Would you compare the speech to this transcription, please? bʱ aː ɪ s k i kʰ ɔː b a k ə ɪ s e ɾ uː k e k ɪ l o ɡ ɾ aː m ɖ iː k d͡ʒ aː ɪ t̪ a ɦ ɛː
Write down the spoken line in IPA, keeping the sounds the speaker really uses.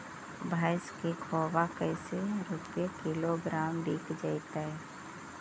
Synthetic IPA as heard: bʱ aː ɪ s k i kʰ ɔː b a k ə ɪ s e ɾ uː p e k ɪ l o ɡ ɾ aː m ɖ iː k d͡ʒ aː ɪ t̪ a ɦ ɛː